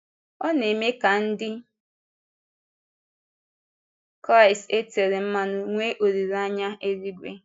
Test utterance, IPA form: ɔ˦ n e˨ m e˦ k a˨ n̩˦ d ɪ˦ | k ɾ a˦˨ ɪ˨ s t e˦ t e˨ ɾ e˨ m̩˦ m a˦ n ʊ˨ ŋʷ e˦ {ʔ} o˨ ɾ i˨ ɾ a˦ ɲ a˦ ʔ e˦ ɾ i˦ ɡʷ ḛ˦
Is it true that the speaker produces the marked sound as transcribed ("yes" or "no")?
yes